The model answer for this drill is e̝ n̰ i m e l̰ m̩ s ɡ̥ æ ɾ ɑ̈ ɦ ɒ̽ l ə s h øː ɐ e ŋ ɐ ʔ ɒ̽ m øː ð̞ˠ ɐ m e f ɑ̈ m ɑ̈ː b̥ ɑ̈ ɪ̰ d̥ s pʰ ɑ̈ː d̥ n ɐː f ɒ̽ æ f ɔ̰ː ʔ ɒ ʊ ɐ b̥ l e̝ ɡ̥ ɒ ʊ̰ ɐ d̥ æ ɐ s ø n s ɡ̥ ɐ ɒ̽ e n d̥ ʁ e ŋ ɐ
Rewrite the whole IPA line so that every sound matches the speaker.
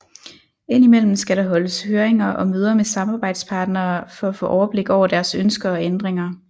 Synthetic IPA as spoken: e̝ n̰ i m e l̰ m̩ s ɡ̥ æ ɾ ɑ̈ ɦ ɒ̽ l ə s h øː ɐ e ŋ ɐ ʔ ɒ̽ m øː ð̞ˠ ɐ m e s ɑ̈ m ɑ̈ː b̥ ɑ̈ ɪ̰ d̥ s pʰ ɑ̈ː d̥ n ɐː f ɒ̽ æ f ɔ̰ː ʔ ɒ ʊ ɐ b̥ l e̝ ɡ̥ ɒ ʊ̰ ɐ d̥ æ ɐ s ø n s ɡ̥ ɐ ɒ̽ e n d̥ ʁ e ŋ ɐ